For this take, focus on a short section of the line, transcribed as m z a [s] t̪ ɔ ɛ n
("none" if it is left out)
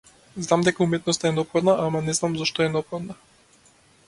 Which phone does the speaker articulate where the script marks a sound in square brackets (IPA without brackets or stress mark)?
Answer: ʃ